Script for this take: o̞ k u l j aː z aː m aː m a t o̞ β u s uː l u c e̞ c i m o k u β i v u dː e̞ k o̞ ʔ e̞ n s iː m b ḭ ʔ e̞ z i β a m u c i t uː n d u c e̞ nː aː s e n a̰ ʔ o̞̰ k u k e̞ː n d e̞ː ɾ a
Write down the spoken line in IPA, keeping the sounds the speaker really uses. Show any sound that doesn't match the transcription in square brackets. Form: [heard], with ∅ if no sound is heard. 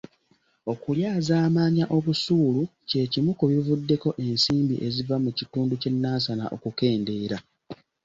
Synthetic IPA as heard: o̞ k u l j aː z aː m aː [ɲ] a [ʔ] o̞ β u s uː l u c e̞ c i m [u] k u β i v u dː e̞ k o̞ ʔ e̞ n s iː m b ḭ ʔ e̞ z i [v] a m u c i t uː n d u c e̞ nː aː s [a] n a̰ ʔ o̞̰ k u k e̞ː n d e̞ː ɾ a